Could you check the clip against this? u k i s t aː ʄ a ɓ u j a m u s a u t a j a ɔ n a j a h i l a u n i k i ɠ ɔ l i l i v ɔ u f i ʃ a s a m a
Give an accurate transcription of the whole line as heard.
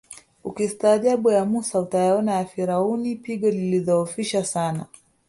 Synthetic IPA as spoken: u k i s t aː ʄ a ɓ u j a m u s a u t a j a ɔ n a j a f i ɾ a u n i p i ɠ ɔ l i l i ð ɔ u f i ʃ a s a n a

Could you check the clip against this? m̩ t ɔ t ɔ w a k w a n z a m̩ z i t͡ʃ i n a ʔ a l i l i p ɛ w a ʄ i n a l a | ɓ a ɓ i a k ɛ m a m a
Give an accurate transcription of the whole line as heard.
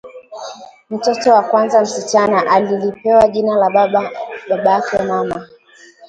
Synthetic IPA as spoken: m̩ t ɔ t ɔ w a k w a n z a m̩ s i t͡ʃ a n a ʔ a l i l i p ɛ w a ʄ i n a l a | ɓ a ɓ a a k ɛ m a m a

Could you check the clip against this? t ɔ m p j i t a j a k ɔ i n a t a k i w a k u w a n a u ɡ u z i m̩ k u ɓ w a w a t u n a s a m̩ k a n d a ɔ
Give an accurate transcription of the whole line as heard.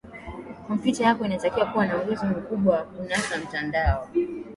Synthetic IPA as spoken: k ɔ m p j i t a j a k ɔ i n a t a k i w a k u w a n a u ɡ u z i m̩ k u ɓ w a w a k u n a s a m̩ t a n d a ɔ

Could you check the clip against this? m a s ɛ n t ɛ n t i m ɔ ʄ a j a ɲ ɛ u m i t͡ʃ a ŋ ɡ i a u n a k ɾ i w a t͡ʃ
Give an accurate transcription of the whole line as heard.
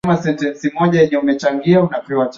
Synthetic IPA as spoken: m a s ɛ n t ɛ n s i m ɔ ʄ a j ɛ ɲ ɛ u m ɛ t͡ʃ a ŋ ɡ i a u n a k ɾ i w a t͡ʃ

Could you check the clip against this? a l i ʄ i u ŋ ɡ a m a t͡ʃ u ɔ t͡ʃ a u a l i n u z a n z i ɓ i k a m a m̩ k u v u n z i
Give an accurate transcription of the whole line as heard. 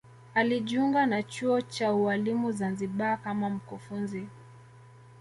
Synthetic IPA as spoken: a l i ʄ i u ŋ ɡ a n a t͡ʃ u ɔ t͡ʃ a u a l i m u z a n z i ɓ a k a m a m̩ k u f u n z i

